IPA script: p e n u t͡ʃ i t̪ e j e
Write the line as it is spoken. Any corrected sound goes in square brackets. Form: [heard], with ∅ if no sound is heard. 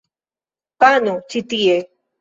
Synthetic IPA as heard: p [a] n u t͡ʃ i t̪ [i] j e